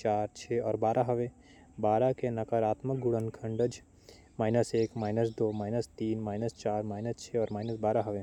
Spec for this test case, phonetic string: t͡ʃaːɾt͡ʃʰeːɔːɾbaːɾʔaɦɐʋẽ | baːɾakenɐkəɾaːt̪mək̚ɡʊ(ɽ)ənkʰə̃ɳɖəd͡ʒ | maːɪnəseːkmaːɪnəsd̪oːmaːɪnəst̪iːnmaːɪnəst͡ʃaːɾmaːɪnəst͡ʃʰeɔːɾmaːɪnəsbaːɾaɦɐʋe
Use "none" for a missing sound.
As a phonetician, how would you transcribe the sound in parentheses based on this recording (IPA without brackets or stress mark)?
ɽ